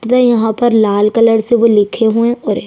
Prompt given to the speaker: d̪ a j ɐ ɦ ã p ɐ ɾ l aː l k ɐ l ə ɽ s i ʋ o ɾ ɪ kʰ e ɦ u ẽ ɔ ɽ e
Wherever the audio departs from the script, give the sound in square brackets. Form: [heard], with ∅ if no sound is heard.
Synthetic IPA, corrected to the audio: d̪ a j ɐ ɦ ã p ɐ ɾ l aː l k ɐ l ə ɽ s [e] ʋ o [l] ɪ kʰ e ɦ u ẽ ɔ [ɾ] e